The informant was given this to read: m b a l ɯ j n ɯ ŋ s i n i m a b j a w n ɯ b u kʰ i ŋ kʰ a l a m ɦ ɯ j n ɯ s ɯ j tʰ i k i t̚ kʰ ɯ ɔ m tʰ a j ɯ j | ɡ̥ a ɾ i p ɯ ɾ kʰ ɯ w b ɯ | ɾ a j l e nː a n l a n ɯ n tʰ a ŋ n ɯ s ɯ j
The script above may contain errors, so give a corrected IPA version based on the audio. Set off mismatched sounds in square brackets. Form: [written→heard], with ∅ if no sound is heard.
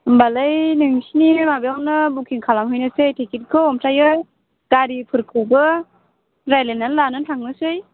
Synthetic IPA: m b a l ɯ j n ɯ ŋ s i n i m a b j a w n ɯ b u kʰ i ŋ kʰ a l a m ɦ ɯ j n ɯ s ɯ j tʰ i k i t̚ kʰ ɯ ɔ m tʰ a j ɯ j | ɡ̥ a ɾ i [p→pʰ] ɯ ɾ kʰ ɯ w b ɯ | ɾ a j l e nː a n l a n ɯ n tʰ a ŋ n ɯ s ɯ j